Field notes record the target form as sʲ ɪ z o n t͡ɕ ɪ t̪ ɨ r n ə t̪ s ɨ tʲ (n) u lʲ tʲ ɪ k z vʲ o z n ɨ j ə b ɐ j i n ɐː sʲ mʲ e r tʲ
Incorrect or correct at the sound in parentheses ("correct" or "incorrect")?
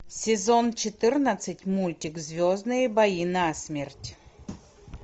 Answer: incorrect